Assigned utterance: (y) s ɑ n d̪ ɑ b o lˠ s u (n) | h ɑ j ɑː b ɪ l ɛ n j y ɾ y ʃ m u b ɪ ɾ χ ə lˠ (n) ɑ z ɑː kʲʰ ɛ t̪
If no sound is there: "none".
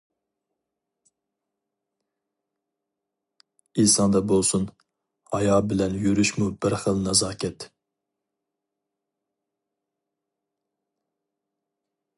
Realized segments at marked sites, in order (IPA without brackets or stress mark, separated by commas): i, n, n